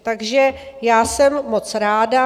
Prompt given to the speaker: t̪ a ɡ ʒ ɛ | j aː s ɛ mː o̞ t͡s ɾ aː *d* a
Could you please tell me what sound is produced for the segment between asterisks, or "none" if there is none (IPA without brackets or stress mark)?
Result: d